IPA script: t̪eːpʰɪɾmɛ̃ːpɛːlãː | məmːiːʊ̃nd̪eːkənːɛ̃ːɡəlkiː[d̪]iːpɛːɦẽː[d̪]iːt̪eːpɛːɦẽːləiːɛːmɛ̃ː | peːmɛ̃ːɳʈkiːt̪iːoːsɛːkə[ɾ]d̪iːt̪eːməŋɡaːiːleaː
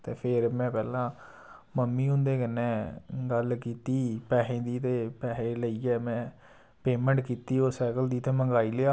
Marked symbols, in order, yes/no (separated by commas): no, yes, no